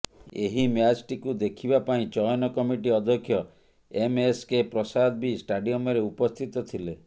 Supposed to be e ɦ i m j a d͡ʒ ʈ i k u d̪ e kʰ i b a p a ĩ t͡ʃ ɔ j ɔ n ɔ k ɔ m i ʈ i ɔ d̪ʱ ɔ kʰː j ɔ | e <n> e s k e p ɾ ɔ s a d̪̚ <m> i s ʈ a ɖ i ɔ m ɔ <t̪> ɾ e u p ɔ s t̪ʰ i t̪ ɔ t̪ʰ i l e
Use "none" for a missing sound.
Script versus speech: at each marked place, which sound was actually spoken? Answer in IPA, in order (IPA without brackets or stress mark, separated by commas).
m, b, none